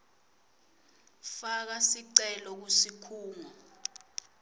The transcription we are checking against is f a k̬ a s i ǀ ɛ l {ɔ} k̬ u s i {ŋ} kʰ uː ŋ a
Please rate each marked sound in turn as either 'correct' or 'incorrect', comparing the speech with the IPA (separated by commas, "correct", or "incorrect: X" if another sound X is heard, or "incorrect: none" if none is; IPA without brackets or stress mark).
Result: correct, incorrect: none